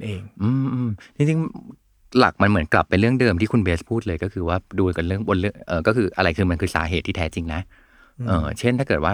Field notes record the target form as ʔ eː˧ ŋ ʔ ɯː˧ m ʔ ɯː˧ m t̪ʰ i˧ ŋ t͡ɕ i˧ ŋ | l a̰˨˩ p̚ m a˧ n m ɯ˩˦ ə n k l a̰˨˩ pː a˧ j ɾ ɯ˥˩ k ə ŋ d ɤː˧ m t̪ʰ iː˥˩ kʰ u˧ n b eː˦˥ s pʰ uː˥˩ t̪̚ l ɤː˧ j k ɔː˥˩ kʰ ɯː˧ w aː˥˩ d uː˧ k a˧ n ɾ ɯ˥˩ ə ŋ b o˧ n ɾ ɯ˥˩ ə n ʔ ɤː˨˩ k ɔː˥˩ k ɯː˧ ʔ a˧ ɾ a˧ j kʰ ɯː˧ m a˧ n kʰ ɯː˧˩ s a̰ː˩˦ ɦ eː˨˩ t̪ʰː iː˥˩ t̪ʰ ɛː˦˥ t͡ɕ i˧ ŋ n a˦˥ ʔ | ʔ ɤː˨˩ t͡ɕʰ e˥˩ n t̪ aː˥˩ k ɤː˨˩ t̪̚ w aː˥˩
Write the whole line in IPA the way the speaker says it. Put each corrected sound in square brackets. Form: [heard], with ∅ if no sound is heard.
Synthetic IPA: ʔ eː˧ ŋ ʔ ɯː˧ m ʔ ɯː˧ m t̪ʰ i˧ ŋ t͡ɕ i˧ ŋ | l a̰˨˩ [k̚] m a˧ n m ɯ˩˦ ə n k l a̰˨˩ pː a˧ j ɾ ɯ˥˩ [∅] ə ŋ d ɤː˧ m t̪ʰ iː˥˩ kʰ u˧ n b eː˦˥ s pʰ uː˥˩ t̪̚ l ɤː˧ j k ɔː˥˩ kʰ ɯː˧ w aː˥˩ d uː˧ k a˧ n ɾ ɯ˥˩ ə ŋ b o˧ n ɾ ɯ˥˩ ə [ŋ] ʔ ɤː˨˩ k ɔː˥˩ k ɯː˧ ʔ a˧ ɾ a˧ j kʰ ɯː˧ m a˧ n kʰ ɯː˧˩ s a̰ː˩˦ ɦ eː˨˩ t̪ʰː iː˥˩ t̪ʰ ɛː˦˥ t͡ɕ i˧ ŋ n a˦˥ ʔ | ʔ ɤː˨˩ t͡ɕʰ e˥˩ n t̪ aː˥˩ k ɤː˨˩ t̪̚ w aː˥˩